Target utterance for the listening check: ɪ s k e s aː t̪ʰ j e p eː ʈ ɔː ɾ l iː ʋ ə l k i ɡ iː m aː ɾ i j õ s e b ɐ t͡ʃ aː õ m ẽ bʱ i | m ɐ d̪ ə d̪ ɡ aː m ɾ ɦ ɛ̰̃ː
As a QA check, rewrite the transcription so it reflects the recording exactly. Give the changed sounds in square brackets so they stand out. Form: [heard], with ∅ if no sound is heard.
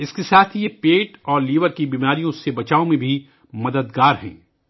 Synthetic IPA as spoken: ɪ s k e s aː t̪ʰ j e p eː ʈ ɔː ɾ l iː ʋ ə [ɾ] k i [b] iː m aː ɾ i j õ s e b ɐ t͡ʃ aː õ m ẽ bʱ i | m ɐ d̪ ə d̪ ɡ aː [∅] ɾ ɦ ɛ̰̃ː

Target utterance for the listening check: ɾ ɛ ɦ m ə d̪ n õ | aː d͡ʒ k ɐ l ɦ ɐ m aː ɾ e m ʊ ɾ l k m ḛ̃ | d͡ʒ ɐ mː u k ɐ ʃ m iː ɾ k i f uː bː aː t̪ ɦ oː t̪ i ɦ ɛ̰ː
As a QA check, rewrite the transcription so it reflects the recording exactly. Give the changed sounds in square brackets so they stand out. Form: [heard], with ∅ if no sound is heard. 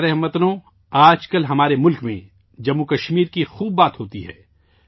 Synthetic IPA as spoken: ɾ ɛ ɦ m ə [t̪] n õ | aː d͡ʒ k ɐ l ɦ ɐ m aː ɾ e m ʊ [∅] l k m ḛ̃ | d͡ʒ ɐ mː u k ɐ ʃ m iː ɾ k i [x] uː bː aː t̪ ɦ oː t̪ i ɦ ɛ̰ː

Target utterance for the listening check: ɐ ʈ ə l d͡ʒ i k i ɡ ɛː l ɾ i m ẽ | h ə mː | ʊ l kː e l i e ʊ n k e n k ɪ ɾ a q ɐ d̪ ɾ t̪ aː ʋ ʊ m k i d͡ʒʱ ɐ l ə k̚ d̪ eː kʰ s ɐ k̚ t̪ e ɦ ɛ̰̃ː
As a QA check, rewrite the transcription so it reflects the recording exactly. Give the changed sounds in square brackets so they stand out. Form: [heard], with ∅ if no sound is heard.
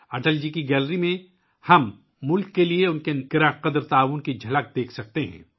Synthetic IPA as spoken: ɐ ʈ ə l d͡ʒ i k i ɡ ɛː l ɾ i m ẽ | h [ɐ] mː | ʊ l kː e l i e ʊ n k e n k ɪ ɾ a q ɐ d̪ ɾ t̪ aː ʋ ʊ [n] k i d͡ʒʱ ɐ l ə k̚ d̪ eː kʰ s ɐ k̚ t̪ e ɦ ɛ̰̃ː

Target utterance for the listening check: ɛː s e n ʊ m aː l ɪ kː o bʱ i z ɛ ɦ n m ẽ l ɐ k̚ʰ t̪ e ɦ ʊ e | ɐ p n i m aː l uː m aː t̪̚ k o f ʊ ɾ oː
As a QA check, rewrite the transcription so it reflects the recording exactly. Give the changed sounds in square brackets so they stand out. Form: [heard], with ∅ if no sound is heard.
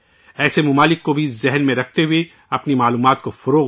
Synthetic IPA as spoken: ɛː s e [m] ʊ m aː l ɪ kː o bʱ i z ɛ ɦ n m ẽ [ɾ] ɐ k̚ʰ t̪ e ɦ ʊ e | ɐ p n i m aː l uː m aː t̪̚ k o f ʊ ɾ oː

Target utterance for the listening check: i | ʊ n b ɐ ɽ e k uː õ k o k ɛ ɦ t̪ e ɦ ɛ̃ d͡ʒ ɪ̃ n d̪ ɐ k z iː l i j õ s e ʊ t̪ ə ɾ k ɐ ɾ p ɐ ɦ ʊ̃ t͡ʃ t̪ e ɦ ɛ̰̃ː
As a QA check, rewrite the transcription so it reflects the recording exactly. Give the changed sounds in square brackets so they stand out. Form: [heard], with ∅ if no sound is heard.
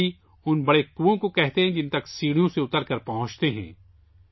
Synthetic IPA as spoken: i | ʊ n b ɐ ɽ e k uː õ k o k ɛ ɦ t̪ e ɦ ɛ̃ d͡ʒ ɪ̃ n [t̪] ɐ k [s] iː [ɽ] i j õ s e ʊ t̪ ə ɾ k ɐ ɾ p ɐ ɦ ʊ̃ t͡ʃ t̪ e ɦ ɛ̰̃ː

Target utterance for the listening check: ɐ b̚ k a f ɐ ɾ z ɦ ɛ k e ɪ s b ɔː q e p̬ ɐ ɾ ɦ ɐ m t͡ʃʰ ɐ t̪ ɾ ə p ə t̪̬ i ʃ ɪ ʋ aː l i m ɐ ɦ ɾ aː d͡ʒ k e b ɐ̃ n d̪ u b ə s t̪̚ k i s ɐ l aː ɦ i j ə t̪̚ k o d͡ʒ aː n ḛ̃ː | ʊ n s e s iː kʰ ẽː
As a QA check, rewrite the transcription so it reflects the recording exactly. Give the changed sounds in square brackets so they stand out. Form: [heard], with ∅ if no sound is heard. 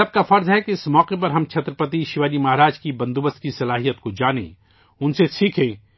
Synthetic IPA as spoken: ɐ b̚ k a f ɐ ɾ z ɦ ɛ k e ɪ s [m] ɔː q e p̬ ɐ ɾ ɦ ɐ m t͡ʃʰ ɐ t̪ ɾ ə p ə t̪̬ i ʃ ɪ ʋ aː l i m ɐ ɦ ɾ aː d͡ʒ k [i] b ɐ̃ n d̪ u b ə s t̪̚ k i s ɐ l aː ɦ i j ə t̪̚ k o d͡ʒ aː n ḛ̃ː | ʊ n s e s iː kʰ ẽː

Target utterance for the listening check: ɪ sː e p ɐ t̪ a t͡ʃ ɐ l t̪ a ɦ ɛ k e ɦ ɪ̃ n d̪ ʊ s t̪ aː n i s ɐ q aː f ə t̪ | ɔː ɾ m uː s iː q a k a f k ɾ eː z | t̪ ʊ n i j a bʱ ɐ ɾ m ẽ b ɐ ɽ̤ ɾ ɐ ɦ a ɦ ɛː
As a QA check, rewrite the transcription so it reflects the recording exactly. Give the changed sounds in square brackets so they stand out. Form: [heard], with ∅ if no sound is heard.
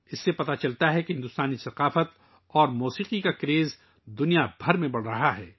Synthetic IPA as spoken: ɪ sː e p ɐ t̪ a t͡ʃ ɐ l t̪ a ɦ ɛ k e ɦ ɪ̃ n d̪ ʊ s t̪ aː n i s ɐ q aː f ə t̪ | ɔː ɾ m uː s iː q [i] k a [∅] k ɾ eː z | [d̪] ʊ n i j a bʱ ɐ ɾ m ẽ b ɐ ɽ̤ ɾ ɐ ɦ a ɦ ɛː

